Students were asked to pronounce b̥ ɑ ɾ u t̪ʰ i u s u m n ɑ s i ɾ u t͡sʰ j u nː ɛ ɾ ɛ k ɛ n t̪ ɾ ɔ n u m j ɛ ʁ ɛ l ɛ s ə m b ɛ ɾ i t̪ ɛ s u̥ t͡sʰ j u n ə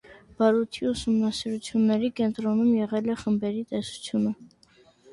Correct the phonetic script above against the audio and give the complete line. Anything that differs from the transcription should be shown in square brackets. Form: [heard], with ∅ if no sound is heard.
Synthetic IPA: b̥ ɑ ɾ u t̪ʰ i u s u m n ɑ s i ɾ u t͡sʰ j u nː ɛ ɾ [i] k ɛ n t̪ ɾ ɔ n u m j ɛ ʁ ɛ l ɛ [χ] ə m b ɛ ɾ i t̪ ɛ s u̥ t͡sʰ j u n ə